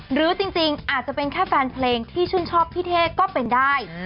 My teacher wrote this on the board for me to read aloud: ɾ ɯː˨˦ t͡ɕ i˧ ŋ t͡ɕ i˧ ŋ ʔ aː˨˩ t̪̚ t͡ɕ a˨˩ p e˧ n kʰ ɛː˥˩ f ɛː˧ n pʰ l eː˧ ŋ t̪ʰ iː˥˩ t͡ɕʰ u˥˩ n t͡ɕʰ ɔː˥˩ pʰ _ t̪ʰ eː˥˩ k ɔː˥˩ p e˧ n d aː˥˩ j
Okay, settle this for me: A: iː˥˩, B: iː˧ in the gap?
A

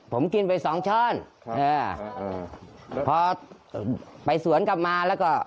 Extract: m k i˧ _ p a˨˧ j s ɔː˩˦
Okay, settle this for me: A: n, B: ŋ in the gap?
A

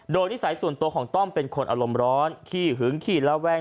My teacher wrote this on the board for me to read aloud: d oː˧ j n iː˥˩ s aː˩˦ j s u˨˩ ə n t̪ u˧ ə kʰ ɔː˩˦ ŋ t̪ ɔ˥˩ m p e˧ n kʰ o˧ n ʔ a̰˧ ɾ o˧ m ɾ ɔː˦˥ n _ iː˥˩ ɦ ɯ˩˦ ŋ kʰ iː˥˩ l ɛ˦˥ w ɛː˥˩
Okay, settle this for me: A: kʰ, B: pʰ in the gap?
A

